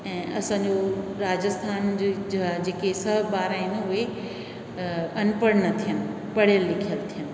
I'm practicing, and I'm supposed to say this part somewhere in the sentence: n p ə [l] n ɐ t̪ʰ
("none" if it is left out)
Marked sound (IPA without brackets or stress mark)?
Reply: ɽ